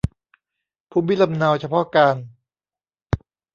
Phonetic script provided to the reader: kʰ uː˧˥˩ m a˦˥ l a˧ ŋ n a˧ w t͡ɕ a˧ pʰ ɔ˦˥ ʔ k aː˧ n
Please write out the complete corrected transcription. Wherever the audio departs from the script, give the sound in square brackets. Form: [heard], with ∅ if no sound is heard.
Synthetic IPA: [pʰ] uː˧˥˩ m [i˦˥] l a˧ [m] n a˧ w [t͡ɕʰ] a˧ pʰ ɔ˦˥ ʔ k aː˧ n